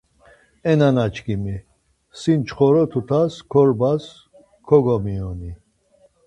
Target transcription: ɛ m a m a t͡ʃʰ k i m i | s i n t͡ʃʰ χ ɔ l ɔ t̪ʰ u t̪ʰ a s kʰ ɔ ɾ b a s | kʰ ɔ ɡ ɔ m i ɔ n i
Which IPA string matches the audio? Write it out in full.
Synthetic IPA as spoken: ɛ n a n a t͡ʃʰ k i m i | s i n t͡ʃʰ χ ɔ ɾ ɔ t̪ʰ u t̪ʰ a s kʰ ɔ ɾ b a s | kʰ ɔ ɡ ɔ m i ɔ n i